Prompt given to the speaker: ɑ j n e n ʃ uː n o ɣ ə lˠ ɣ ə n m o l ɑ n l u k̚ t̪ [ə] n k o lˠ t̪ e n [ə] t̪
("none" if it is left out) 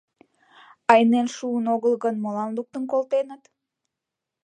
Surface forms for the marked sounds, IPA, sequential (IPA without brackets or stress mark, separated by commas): ə, ə